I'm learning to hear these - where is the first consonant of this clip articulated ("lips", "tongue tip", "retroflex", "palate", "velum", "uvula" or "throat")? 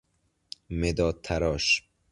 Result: lips